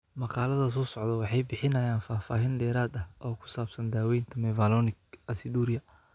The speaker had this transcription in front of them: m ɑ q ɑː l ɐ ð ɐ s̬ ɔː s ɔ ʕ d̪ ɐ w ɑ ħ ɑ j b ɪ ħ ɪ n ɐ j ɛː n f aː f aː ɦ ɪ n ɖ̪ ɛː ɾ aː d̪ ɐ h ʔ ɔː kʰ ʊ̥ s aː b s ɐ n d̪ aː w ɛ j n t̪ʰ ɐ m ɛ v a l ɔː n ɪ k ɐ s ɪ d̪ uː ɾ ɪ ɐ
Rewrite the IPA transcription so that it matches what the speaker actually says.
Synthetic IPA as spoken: m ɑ q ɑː l ɐ ð ɐ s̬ ɔː s ɔ ʕ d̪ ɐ w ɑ ħ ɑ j b ɪ ħ ɪ n ɐ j aː n f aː f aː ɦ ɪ n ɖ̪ ɛː ɾ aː d̪ ɐ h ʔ ɔː kʰ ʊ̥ s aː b s ɐ n d̪ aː w ɛ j n t̪ʰ ɐ m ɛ v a l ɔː n ɪ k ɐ s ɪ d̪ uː ɾ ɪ ɐ